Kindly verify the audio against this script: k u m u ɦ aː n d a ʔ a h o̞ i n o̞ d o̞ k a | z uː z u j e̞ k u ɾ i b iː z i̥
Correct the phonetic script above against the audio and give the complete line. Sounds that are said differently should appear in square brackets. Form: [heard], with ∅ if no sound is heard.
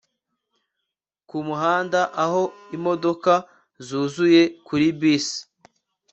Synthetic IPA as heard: k u m u ɦ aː n d a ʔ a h o̞ i [m] o̞ d o̞ k a | z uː z u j e̞ k u ɾ i b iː [s] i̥